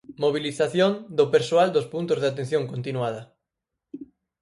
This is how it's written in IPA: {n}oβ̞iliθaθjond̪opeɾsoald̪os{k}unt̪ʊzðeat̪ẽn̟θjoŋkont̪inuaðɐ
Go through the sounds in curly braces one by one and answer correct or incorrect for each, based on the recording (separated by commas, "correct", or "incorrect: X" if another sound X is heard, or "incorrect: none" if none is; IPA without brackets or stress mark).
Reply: incorrect: m, incorrect: p